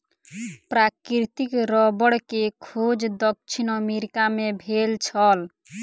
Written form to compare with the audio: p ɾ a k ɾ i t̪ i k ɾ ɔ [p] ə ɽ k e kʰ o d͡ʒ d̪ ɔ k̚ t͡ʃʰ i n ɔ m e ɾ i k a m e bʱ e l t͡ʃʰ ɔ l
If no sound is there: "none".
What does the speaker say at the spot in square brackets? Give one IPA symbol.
b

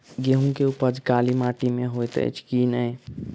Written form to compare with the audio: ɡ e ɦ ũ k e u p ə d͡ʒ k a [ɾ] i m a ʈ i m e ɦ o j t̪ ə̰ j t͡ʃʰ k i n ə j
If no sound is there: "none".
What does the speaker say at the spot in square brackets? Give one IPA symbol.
l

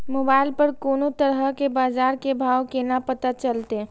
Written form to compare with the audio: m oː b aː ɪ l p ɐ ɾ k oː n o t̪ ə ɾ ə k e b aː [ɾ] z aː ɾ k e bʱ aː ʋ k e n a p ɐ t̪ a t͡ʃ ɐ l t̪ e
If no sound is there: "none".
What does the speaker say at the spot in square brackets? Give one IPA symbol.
none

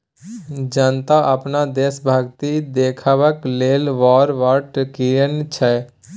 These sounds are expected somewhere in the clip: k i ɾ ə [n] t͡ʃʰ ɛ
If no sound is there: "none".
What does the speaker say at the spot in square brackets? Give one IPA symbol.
n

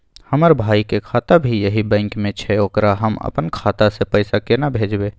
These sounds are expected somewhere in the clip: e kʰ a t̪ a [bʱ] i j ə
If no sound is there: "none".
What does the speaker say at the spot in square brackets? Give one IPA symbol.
bʱ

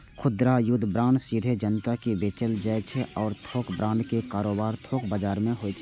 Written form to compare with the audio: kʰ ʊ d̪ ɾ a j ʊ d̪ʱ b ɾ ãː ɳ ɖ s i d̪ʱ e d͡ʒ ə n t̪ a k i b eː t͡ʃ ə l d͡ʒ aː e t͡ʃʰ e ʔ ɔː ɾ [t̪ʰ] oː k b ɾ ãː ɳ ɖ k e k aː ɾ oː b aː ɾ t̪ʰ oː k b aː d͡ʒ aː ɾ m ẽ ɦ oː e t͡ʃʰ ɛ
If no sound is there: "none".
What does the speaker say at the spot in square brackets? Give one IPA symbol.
t̪ʰ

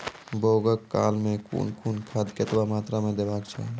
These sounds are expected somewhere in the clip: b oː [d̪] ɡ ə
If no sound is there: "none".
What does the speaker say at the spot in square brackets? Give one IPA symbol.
none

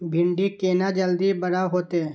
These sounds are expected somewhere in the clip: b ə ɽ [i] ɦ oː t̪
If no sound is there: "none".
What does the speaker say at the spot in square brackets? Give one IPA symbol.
a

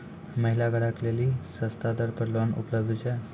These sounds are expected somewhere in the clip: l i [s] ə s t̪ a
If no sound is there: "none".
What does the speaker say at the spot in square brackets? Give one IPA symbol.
s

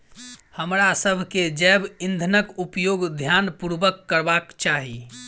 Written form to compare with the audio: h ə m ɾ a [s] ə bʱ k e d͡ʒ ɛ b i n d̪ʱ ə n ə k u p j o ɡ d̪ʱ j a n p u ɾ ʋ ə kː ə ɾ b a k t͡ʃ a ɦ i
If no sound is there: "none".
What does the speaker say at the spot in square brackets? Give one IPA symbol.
s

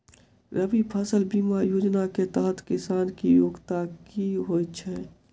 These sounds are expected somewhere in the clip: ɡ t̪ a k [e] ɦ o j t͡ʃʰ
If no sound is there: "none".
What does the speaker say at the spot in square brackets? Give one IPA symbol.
i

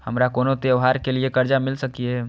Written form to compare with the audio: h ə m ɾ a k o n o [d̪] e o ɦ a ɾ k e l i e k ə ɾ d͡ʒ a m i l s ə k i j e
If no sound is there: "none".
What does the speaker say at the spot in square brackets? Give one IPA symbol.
t̪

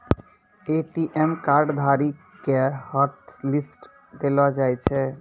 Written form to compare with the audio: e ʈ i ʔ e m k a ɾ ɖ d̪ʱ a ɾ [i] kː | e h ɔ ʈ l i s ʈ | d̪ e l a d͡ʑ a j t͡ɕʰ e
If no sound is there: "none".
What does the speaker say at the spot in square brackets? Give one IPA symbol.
i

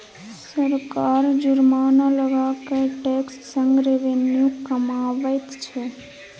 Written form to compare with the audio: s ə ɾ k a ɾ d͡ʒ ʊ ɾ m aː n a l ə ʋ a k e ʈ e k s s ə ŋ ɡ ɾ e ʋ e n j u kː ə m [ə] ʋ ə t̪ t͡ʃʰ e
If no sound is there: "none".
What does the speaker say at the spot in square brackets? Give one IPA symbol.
a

